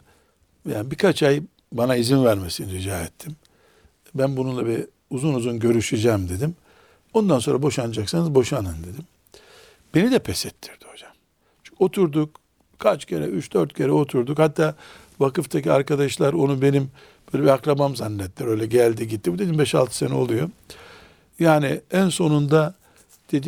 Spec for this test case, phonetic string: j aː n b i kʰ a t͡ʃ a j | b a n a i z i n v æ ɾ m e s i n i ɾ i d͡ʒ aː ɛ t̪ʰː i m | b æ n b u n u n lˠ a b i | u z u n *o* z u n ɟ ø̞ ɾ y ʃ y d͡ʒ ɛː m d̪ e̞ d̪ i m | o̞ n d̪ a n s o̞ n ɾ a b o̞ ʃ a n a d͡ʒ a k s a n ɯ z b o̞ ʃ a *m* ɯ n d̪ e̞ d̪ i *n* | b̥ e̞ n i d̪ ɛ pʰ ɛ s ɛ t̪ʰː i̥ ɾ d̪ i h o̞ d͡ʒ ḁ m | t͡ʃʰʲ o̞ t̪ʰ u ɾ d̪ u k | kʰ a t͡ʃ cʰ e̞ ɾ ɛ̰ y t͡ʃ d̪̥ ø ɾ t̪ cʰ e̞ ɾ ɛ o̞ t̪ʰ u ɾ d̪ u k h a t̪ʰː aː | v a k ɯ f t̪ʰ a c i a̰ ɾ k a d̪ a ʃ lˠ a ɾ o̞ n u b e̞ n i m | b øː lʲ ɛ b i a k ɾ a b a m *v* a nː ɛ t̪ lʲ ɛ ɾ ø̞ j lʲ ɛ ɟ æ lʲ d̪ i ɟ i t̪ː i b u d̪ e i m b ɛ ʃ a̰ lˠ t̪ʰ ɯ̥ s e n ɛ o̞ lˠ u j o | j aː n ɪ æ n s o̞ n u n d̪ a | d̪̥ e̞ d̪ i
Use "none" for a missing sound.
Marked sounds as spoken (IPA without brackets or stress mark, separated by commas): u, n, m, z